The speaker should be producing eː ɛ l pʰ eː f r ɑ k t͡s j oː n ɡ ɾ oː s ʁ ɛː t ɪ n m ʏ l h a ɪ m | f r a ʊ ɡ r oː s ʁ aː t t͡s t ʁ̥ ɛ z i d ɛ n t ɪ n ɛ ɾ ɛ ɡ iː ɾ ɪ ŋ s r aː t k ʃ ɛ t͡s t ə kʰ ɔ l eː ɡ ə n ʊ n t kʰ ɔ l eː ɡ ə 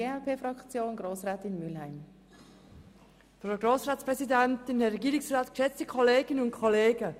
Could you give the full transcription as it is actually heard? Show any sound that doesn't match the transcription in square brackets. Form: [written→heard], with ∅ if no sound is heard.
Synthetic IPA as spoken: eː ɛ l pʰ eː f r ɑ k t͡s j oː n ɡ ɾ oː s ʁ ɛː t ɪ n m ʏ l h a ɪ m | f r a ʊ ɡ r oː s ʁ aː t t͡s [t→p] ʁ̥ ɛ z i d ɛ n t ɪ n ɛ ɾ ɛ ɡ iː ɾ ɪ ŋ s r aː t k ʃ ɛ t͡s t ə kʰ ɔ l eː ɡ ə n ʊ n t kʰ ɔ l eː ɡ ə